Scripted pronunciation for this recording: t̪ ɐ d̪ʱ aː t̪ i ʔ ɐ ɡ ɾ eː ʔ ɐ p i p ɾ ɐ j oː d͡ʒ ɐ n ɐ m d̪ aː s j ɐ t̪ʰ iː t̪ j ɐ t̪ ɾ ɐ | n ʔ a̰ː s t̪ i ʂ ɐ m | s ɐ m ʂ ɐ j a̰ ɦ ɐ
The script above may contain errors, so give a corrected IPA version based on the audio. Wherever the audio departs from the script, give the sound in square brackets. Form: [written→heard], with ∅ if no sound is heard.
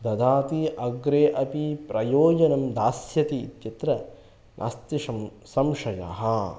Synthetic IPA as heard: [t̪→d̪] ɐ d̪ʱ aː t̪ i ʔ ɐ ɡ ɾ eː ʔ ɐ p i p ɾ ɐ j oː d͡ʒ ɐ n ɐ m d̪ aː s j ɐ [t̪ʰ→t̪] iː t̪ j ɐ t̪ ɾ ɐ | n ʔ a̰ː s t̪ i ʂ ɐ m | s ɐ m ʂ ɐ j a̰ ɦ ɐ

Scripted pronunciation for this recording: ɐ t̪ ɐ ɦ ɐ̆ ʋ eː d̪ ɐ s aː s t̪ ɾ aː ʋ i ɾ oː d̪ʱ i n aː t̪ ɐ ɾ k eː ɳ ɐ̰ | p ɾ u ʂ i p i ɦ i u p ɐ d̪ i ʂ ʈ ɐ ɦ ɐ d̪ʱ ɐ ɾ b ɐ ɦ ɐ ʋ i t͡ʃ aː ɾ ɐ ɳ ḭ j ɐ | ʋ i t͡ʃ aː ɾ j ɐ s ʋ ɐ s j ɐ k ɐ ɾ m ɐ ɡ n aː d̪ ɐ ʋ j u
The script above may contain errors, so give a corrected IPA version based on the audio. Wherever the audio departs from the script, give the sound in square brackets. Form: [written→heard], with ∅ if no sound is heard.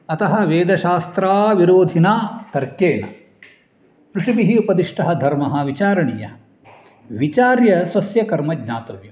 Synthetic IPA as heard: ɐ t̪ ɐ ɦ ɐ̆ ʋ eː d̪ ɐ [s→ʃ] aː s t̪ ɾ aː ʋ i ɾ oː d̪ʱ i n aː t̪ ɐ ɾ k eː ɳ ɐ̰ | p ɾ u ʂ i [p→b] i ɦ i u p ɐ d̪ i ʂ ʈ ɐ ɦ ɐ d̪ʱ ɐ ɾ [b→m] ɐ ɦ ɐ ʋ i t͡ʃ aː ɾ ɐ ɳ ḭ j ɐ | ʋ i t͡ʃ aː ɾ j ɐ s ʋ ɐ s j ɐ k ɐ ɾ m ɐ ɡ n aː [d̪→t̪] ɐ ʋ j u

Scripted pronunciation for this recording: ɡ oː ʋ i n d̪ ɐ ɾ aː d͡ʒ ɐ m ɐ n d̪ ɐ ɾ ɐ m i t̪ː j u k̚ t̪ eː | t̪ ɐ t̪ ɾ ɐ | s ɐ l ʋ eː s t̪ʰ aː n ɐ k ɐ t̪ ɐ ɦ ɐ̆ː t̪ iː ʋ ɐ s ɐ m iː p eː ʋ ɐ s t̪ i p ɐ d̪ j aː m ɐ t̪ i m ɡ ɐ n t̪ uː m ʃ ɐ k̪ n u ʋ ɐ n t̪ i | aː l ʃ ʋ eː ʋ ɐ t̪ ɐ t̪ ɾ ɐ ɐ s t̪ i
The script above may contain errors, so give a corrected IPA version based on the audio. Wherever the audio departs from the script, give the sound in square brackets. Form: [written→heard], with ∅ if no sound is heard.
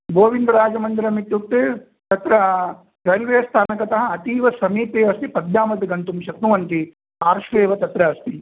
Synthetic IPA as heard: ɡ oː ʋ i n d̪ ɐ ɾ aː d͡ʒ ɐ m ɐ n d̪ ɐ ɾ ɐ m i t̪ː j u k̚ t̪ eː | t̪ ɐ t̪ ɾ ɐ | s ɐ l ʋ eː s t̪ʰ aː n ɐ k ɐ t̪ ɐ ɦ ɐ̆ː t̪ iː ʋ ɐ s ɐ m iː p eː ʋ ɐ s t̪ i p ɐ d̪ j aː m ɐ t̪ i [m→∅] ɡ ɐ n t̪ [uː→u] m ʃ ɐ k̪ n u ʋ ɐ n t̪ i | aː [l→ɾ] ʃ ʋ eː ʋ ɐ t̪ ɐ t̪ ɾ ɐ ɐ s t̪ i

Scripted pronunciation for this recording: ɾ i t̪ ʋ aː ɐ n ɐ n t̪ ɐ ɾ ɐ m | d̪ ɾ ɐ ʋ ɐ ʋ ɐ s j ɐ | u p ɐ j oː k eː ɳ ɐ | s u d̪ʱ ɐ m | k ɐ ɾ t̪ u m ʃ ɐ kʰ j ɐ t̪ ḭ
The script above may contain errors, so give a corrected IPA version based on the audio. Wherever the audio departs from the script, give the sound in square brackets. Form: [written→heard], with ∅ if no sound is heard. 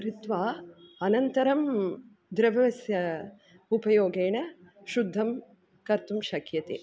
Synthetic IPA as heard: ɾ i t̪ ʋ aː ɐ n ɐ n t̪ ɐ ɾ ɐ m | d̪ ɾ ɐ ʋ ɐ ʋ ɐ s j ɐ | u p ɐ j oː [k→ɡ] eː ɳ ɐ | [s→ʃ] u [d̪ʱ→d̪ʱː] ɐ m | k ɐ ɾ t̪ u m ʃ ɐ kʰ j ɐ t̪ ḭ

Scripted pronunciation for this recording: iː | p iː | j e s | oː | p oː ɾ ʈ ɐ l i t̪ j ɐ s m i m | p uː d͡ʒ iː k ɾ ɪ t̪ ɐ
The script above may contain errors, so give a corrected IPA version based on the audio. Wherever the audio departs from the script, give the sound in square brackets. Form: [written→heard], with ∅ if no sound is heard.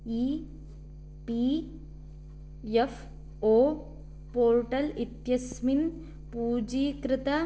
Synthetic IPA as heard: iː | p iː | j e [s→f] | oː | p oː ɾ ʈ ɐ l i t̪ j ɐ s m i [m→n] | p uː d͡ʒ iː k ɾ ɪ t̪ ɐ

